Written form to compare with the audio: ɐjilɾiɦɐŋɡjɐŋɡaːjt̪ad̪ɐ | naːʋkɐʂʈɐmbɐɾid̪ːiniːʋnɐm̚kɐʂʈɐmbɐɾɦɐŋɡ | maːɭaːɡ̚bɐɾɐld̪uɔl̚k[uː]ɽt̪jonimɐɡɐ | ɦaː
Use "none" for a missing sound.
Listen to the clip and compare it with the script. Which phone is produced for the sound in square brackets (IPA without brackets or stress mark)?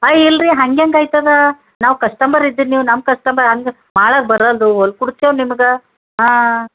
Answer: u